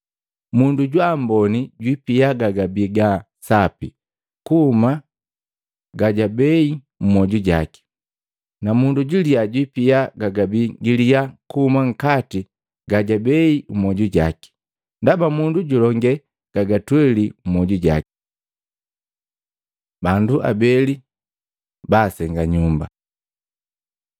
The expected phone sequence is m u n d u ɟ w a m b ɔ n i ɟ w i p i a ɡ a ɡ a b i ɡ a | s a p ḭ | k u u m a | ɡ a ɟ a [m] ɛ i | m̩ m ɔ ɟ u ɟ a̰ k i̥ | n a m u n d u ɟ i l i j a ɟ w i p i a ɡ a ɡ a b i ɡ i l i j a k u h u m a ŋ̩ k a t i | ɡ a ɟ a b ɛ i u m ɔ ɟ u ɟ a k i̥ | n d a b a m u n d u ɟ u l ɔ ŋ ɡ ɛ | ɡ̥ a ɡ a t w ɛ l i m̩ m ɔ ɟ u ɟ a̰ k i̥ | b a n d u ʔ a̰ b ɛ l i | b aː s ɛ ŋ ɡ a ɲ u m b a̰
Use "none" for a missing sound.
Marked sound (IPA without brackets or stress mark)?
b